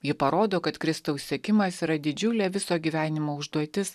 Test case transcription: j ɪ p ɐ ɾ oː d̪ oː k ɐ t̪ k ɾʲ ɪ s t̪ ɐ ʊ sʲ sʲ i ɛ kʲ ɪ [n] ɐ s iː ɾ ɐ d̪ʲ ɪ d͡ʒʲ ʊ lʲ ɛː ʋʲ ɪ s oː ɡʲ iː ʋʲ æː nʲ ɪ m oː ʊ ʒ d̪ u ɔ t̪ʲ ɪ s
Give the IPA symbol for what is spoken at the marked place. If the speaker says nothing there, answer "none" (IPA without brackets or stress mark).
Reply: m